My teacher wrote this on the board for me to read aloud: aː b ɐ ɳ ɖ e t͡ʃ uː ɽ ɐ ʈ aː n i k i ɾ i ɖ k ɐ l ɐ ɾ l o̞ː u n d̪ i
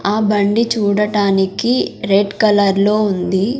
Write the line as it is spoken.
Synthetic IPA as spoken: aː b ɐ ɳ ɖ i t͡ʃ uː ɽ ɐ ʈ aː n i k i ɾ e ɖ k ɐ l ɐ ɾ l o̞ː u n d̪ i